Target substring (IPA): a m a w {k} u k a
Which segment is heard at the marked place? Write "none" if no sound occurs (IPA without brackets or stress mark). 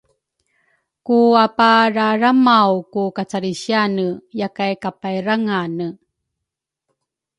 k